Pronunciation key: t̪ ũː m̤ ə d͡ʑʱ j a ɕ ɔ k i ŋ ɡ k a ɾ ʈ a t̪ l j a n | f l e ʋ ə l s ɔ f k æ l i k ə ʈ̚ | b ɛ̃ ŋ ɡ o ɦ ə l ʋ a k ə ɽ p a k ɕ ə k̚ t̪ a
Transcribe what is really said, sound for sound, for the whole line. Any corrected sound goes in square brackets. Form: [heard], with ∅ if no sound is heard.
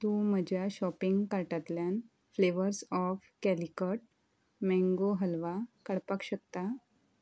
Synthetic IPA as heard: t̪ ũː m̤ ə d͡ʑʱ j a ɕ ɔ [p] i ŋ ɡ k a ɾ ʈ a t̪ l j a n | f l e ʋ ə [ɾ] s ɔ f k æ l i k ə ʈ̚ | [m] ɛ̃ ŋ ɡ o ɦ ə l ʋ a k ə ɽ p a k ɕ ə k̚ t̪ a